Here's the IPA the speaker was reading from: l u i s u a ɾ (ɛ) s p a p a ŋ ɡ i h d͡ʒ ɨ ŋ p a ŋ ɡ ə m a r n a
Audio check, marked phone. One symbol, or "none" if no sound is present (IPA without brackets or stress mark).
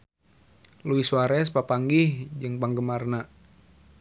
ɛ